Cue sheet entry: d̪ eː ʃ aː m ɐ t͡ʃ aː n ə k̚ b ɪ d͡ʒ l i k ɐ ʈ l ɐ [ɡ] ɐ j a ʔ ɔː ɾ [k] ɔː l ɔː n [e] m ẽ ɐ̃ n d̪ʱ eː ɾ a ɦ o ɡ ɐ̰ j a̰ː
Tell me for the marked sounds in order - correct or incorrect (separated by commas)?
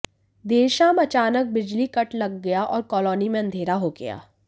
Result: incorrect, correct, incorrect